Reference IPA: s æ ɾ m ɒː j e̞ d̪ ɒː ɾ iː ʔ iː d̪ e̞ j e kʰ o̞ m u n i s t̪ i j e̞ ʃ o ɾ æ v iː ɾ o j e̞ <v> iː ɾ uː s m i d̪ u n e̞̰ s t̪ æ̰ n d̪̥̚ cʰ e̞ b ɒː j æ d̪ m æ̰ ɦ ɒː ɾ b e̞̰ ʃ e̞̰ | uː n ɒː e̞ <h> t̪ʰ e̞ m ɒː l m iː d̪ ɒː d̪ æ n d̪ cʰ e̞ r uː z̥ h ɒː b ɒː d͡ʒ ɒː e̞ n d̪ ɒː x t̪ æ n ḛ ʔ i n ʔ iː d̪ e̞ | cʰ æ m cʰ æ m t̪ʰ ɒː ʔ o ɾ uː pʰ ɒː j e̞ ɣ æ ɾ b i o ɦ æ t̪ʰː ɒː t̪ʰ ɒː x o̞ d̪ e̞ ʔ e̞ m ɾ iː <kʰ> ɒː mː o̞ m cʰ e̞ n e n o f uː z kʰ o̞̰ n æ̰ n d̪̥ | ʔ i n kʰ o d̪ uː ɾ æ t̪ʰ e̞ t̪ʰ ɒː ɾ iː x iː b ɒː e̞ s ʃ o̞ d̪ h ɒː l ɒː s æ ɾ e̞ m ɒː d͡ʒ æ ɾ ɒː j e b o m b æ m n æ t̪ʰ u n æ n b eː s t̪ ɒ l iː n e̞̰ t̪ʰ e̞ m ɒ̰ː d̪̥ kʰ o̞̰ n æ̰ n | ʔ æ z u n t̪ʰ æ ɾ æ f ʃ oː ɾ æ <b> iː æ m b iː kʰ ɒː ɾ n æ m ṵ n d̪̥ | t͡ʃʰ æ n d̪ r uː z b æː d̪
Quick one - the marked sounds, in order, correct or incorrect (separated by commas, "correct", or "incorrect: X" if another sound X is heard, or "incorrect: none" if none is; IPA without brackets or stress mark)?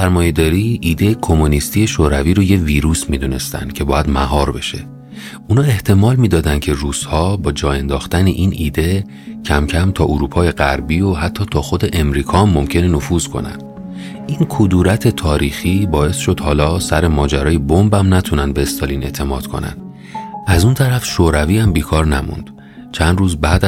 correct, correct, correct, incorrect: v